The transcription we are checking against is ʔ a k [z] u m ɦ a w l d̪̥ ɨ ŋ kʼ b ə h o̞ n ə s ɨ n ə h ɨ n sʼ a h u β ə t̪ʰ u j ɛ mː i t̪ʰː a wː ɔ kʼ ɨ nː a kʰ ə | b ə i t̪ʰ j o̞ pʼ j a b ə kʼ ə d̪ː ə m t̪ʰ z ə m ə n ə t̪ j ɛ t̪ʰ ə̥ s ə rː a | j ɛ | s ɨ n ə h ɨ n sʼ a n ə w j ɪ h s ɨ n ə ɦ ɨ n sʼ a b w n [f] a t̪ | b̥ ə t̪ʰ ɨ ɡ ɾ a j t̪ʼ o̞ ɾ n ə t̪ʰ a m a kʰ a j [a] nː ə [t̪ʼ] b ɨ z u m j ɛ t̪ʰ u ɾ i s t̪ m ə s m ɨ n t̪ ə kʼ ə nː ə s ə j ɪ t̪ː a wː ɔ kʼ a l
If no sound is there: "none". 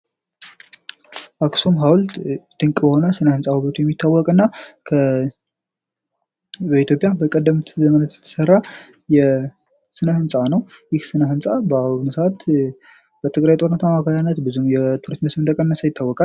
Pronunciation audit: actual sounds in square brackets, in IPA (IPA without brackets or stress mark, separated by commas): s, s, a, t̪